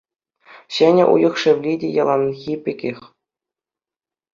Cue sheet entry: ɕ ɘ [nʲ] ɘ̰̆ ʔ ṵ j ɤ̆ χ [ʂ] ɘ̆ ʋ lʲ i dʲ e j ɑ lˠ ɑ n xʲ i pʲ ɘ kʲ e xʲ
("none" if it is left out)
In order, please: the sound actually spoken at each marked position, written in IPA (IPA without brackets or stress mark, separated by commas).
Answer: nʲ, ʂ